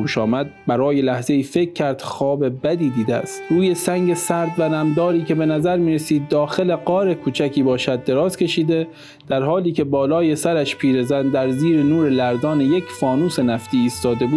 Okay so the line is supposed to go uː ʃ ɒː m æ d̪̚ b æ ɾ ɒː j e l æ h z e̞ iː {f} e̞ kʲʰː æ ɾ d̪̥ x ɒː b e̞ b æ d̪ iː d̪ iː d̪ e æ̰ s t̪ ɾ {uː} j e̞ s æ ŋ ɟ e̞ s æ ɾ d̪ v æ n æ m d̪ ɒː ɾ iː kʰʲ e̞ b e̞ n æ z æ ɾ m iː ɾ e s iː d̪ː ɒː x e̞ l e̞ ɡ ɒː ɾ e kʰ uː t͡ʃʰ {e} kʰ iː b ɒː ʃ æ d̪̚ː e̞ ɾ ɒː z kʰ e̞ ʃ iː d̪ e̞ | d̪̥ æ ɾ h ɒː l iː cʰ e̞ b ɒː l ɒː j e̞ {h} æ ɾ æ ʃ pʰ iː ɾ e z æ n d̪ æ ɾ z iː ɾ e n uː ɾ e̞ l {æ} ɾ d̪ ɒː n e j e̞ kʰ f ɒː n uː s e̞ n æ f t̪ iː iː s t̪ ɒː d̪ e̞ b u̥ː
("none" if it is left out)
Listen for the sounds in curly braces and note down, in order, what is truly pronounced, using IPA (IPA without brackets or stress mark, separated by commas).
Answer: f, uː, æ, s, æ